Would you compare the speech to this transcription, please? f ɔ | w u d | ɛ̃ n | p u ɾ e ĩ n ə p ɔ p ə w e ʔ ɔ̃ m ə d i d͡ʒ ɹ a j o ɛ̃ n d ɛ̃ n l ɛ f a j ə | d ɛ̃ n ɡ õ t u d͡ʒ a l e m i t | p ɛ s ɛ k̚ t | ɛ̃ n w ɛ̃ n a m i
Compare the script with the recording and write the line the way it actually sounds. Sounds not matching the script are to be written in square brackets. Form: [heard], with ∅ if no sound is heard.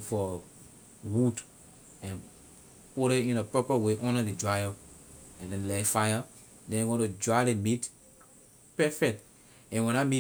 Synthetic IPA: f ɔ | w u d | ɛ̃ n | p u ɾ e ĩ n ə p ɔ p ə w e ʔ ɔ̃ [n] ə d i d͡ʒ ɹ a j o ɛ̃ n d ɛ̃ n l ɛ f a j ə | d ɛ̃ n ɡ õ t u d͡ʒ a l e m i t | p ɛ [f] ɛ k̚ t | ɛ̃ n w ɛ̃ n a m i